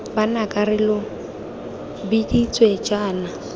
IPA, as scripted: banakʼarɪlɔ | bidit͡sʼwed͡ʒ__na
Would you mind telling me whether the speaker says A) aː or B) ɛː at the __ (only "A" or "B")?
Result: A